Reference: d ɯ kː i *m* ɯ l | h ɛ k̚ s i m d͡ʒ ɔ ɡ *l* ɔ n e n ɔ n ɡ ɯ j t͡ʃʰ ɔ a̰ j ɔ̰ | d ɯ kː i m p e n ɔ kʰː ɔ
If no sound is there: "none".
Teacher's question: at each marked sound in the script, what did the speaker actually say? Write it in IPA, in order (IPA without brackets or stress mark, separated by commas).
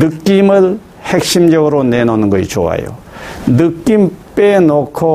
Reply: m, ɾ